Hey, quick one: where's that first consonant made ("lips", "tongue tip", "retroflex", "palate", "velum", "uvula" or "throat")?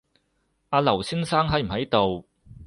tongue tip